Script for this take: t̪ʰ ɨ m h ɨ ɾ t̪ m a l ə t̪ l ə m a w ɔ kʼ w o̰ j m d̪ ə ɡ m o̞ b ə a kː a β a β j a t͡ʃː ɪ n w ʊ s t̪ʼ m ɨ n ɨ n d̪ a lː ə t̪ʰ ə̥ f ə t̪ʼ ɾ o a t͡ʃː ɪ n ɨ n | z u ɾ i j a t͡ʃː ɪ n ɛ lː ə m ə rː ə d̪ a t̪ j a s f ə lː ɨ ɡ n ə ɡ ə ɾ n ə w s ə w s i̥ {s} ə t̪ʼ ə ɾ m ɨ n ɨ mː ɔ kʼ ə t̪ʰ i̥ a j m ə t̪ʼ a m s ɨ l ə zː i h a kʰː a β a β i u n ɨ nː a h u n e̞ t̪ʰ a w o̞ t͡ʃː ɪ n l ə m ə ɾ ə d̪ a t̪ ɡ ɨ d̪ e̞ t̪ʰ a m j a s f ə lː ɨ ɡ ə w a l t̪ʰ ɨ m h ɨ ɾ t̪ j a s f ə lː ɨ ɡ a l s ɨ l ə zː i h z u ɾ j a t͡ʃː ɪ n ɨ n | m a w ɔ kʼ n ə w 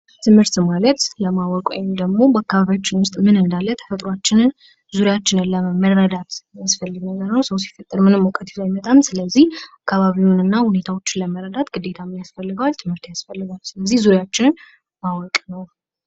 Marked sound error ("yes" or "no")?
yes